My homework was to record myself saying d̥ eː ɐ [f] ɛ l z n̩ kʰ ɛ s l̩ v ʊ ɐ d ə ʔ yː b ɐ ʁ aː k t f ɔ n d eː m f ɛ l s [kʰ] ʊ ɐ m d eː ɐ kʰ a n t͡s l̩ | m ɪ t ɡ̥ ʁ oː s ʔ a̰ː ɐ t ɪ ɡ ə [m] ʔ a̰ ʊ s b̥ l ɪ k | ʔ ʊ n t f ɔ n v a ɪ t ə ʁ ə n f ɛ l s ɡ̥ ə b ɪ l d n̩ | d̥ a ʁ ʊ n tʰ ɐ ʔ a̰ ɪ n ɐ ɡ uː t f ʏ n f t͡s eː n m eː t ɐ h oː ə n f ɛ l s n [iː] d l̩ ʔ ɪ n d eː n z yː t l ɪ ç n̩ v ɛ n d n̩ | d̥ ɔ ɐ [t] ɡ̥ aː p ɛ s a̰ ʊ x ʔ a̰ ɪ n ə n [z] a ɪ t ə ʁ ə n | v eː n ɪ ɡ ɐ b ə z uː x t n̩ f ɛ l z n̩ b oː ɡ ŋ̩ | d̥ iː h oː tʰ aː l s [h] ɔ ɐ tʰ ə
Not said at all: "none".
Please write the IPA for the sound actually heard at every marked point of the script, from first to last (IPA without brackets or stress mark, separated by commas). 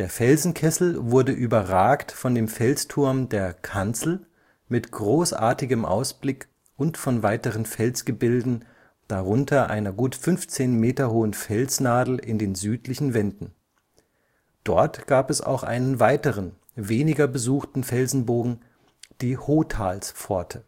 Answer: f, tʰ, m, aː, t, v, f